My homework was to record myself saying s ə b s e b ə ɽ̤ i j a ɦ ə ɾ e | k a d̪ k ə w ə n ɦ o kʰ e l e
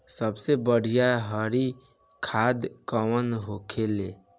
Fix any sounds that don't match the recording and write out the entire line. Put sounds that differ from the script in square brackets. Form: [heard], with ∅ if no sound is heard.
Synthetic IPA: s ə b s e b ə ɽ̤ i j a ɦ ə ɾ [i] | [kʰ] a d̪ k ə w ə n ɦ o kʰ e l e